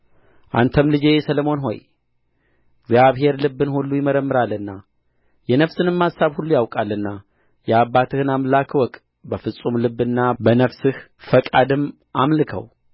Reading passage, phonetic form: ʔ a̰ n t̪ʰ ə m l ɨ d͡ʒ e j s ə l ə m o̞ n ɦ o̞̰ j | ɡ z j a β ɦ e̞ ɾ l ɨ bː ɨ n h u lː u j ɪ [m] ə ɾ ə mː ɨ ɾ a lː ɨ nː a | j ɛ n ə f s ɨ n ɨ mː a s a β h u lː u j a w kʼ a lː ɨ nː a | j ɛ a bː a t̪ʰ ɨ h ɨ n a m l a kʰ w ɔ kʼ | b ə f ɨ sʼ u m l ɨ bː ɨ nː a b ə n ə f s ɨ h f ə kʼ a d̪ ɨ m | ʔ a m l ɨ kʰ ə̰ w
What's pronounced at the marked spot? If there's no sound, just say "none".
m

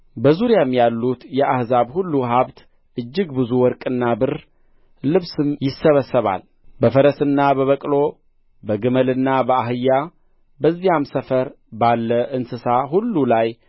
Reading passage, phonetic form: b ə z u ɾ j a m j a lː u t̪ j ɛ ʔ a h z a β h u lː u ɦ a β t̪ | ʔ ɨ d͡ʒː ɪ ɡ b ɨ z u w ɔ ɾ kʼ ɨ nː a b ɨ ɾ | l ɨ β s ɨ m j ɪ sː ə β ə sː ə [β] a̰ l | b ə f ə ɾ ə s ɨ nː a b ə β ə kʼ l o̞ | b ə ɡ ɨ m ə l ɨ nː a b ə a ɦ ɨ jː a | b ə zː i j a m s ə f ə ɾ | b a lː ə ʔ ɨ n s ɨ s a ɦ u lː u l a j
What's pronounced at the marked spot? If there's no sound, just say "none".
β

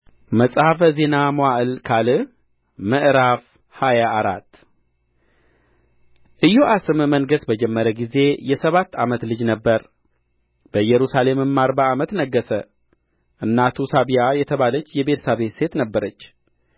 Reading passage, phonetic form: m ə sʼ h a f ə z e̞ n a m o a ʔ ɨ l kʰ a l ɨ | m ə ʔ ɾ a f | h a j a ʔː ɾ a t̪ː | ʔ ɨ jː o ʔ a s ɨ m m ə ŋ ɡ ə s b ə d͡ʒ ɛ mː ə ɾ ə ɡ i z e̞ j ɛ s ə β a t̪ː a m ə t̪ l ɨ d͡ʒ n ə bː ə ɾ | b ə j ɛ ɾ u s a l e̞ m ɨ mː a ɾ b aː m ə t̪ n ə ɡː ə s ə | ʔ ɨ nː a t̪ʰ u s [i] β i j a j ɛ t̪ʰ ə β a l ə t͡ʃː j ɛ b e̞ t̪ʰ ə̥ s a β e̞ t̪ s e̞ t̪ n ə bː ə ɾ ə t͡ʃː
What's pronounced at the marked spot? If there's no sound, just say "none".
a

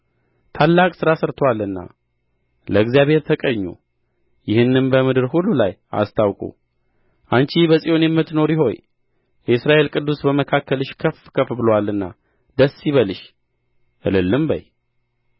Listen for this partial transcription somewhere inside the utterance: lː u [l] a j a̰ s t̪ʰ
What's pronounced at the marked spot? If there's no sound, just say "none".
l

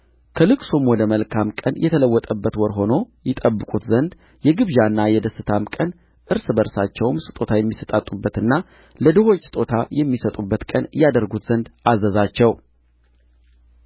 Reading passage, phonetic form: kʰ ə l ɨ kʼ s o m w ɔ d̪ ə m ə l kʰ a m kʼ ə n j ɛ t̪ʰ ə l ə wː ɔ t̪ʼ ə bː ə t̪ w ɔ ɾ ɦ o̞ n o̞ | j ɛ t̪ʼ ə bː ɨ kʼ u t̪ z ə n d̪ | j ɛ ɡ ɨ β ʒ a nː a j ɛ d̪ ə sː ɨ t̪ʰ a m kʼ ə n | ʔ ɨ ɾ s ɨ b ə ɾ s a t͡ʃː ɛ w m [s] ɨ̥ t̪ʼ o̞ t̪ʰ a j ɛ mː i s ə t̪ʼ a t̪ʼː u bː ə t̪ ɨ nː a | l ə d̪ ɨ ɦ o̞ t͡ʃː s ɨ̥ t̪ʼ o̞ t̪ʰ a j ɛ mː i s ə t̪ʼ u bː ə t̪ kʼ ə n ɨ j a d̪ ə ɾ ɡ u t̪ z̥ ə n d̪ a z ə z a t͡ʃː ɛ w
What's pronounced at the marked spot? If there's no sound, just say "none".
s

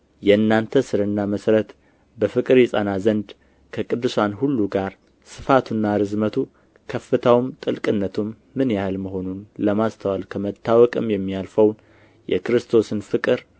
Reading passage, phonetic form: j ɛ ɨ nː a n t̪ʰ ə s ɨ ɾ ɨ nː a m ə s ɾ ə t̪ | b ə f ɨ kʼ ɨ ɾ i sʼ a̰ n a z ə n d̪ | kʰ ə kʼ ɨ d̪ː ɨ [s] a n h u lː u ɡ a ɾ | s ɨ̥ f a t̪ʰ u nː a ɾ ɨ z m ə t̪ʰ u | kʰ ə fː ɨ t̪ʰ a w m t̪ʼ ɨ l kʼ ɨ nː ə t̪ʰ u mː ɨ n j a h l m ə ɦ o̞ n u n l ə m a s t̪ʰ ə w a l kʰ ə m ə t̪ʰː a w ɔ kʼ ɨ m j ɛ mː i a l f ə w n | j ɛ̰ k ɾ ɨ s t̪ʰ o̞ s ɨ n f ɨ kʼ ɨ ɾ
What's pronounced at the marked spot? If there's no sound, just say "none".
s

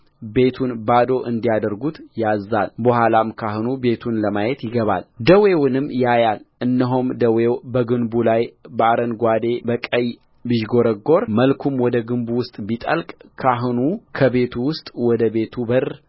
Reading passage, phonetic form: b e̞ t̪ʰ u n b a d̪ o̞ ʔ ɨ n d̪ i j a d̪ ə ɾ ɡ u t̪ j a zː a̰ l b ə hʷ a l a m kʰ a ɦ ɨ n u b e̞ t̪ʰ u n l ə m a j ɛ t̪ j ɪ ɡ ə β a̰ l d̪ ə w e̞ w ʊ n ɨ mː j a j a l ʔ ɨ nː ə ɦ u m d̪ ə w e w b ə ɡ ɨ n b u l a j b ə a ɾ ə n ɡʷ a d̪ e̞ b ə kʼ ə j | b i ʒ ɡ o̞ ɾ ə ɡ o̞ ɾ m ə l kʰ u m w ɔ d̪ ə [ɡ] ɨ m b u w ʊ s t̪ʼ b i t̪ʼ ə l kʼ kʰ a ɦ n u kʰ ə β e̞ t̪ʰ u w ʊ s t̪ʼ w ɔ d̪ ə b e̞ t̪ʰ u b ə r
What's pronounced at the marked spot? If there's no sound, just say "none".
ɡ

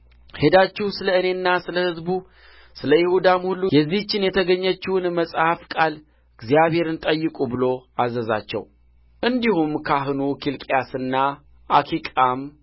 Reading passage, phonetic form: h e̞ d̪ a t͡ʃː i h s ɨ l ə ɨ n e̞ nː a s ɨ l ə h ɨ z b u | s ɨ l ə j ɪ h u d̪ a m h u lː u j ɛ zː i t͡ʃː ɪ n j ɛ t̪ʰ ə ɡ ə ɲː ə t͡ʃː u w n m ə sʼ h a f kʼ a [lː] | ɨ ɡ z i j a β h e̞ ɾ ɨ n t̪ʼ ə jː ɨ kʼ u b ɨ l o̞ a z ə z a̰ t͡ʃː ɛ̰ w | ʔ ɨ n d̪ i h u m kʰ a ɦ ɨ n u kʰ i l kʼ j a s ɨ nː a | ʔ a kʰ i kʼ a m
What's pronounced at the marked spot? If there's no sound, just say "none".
l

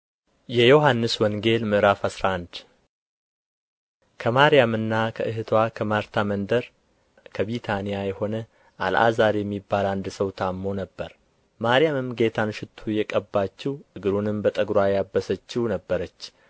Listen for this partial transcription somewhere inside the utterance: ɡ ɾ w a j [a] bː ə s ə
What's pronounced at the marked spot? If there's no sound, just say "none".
a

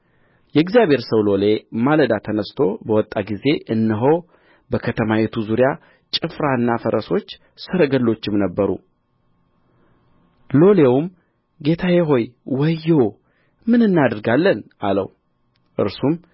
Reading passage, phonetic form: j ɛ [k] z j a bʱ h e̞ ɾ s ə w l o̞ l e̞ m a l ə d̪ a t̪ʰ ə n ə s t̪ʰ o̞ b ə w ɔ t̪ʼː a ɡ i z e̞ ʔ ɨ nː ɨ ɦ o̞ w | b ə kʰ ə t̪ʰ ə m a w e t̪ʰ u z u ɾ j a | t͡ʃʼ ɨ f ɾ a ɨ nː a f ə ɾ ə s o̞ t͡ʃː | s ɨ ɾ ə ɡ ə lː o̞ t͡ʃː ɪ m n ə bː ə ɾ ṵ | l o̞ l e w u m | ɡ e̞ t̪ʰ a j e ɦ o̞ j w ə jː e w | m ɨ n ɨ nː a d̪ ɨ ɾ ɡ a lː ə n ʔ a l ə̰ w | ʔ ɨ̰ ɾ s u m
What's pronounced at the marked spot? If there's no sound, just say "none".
ɡ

